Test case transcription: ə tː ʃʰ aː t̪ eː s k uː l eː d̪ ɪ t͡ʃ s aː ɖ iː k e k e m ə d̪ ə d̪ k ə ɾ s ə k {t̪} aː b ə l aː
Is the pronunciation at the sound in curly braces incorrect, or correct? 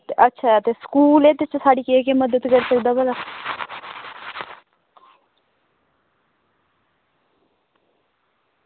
incorrect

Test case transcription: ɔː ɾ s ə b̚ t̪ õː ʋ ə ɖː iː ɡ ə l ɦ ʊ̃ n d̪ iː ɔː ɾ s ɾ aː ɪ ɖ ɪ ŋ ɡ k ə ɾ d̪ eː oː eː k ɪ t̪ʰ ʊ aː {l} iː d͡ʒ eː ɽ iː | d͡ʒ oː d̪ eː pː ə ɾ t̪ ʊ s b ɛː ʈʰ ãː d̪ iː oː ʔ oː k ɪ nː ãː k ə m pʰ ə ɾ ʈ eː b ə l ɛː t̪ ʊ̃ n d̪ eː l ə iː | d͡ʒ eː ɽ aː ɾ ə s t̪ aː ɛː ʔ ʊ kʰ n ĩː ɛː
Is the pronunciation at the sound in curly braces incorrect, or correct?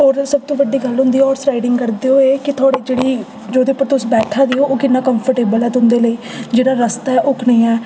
incorrect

